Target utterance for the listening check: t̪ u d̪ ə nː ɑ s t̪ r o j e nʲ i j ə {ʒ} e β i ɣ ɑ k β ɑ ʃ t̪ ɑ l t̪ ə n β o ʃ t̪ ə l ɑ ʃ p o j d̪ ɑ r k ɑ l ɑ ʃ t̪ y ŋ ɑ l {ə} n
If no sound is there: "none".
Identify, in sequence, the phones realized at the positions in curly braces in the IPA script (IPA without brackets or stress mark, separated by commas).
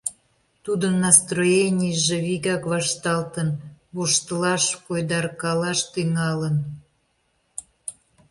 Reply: ʒ, ə